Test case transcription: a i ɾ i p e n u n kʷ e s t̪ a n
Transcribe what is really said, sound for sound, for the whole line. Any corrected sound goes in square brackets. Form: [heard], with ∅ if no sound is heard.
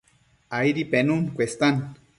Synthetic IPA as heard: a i ɾ i p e n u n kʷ e s t̪ a n